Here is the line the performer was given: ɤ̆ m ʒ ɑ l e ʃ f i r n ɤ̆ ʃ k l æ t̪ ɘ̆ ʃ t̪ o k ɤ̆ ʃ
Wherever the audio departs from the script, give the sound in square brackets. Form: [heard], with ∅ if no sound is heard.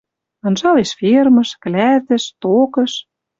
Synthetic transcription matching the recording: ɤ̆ [n] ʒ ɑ l e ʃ f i r [m] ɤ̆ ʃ k l æ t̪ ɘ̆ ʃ t̪ o k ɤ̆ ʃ